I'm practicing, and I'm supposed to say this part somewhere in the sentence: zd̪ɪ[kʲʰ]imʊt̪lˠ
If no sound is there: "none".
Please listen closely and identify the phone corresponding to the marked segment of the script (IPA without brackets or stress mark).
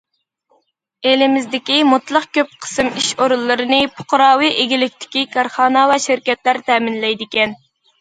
kʲ